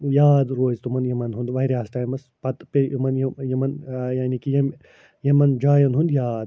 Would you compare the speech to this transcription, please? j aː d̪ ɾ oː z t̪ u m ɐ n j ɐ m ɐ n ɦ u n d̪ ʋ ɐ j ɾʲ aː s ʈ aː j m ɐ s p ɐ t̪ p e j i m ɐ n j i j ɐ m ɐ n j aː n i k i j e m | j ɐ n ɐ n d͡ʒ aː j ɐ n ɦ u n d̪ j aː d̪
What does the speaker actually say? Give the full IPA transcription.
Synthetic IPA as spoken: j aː d̪ ɾ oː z t̪ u m ɐ n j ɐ m ɐ n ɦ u n d̪ ʋ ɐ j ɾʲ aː s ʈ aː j m ɐ s p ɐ t̪ p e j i m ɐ n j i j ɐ m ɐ n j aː n i k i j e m | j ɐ m ɐ n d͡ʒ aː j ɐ n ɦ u n d̪ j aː d̪